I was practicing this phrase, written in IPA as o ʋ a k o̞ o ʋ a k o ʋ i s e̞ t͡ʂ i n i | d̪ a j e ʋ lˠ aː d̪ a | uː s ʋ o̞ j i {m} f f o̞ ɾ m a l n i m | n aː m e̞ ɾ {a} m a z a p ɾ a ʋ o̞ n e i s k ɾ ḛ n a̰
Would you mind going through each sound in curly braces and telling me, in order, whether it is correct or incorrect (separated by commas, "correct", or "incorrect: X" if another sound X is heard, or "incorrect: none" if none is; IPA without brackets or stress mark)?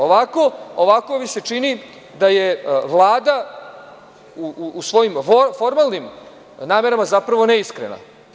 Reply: correct, correct